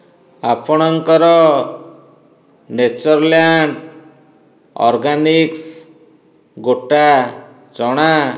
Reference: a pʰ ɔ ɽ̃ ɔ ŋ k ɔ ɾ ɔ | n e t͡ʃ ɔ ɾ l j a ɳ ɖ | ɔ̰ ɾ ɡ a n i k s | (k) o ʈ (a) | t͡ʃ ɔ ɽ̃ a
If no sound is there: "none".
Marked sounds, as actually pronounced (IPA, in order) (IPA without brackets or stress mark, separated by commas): ɡ, a